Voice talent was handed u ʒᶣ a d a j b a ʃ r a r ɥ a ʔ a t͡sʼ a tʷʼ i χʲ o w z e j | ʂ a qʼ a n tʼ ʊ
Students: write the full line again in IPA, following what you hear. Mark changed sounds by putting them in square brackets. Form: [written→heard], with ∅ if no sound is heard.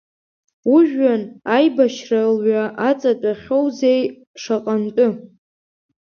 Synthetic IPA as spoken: u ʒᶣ a [d→n] a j b a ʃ r a [r→l] ɥ a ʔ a t͡sʼ a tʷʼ [i→a] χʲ o w z e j | ʂ a qʼ a n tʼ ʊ